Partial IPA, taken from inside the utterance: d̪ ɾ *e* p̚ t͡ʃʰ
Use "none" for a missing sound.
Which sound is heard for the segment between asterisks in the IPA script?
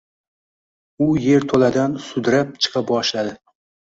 a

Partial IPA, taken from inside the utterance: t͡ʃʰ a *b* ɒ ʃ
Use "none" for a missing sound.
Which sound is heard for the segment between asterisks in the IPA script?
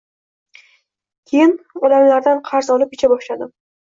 b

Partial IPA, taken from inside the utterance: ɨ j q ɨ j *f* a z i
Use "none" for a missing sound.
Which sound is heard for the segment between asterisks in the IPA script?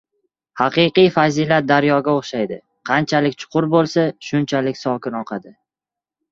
f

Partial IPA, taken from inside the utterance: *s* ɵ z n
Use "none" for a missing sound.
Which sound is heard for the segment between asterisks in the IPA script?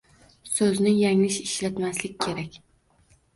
s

